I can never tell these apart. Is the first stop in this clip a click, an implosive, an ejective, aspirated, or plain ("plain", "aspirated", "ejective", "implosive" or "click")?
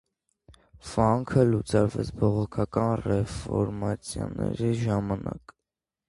aspirated